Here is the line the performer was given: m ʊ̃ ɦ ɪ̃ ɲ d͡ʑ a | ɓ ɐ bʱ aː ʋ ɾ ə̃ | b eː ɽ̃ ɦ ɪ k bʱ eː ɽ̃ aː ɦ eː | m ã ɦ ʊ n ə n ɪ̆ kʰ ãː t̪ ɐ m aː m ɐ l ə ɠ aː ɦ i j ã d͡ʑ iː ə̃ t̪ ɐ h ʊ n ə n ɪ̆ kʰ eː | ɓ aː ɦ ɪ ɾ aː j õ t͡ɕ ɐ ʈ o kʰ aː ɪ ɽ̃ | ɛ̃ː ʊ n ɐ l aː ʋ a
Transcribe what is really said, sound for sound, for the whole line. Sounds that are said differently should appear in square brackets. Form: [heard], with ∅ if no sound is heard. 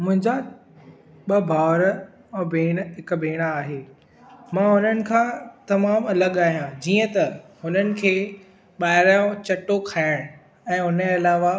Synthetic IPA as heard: m ʊ̃ ɦ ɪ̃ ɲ d͡ʑ a | ɓ ɐ bʱ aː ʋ ɾ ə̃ | b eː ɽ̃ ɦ ɪ k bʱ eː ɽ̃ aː ɦ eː | m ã ɦ ʊ n ə n ɪ̆ kʰ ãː t̪ ɐ m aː m ɐ l ə ɠ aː ɦ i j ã d͡ʑ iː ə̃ t̪ ɐ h ʊ n ə n ɪ̆ kʰ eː | ɓ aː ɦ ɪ ɾ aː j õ t͡ɕ ɐ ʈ o kʰ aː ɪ ɽ̃ | ɛ̃ː ʊ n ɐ l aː ʋ a